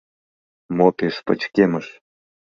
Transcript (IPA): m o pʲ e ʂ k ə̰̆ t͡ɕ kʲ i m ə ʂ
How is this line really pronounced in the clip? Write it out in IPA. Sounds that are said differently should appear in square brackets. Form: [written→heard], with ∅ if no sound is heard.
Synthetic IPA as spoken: m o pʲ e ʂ [k→p] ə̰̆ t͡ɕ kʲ [i→e] m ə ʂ